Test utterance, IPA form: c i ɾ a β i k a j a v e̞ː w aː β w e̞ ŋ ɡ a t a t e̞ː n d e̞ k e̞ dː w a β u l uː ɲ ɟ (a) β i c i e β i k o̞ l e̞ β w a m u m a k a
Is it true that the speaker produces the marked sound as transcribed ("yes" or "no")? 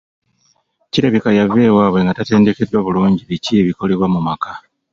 no